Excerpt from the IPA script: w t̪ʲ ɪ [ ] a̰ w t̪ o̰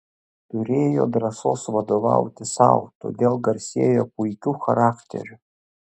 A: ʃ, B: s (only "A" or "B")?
B